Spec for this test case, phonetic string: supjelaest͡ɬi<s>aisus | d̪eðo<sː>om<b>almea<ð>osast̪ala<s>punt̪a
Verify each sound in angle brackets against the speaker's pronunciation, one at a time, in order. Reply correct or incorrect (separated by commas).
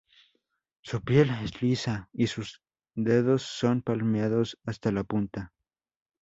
correct, correct, incorrect, correct, incorrect